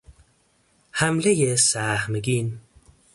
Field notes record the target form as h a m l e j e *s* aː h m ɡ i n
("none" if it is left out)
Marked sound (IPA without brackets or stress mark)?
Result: s